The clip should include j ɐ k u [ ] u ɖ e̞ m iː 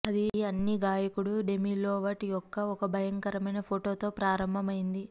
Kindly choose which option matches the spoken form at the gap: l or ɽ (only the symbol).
ɽ